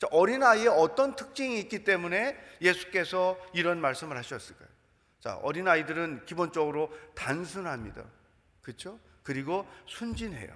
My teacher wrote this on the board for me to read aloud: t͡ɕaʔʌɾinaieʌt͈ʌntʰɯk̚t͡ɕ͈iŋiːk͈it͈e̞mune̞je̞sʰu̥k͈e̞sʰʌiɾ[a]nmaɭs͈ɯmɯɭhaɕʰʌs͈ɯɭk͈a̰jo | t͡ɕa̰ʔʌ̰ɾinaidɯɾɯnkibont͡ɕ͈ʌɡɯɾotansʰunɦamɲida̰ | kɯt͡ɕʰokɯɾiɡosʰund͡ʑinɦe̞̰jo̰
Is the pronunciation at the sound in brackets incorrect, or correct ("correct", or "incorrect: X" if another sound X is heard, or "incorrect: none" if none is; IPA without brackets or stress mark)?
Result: incorrect: ʌ